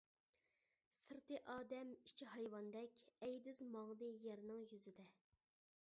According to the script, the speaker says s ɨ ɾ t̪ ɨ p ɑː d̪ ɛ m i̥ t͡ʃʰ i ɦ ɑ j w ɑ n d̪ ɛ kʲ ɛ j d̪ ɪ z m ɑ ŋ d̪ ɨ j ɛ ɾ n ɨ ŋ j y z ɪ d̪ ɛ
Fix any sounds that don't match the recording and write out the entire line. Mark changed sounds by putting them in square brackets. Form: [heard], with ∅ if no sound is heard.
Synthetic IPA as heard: s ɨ ɾ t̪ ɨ [ʔ] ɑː d̪ ɛ m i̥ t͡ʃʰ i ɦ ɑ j w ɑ n d̪ ɛ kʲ ɛ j d̪ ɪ z m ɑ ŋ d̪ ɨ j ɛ ɾ n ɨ ŋ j y z ɪ d̪ ɛ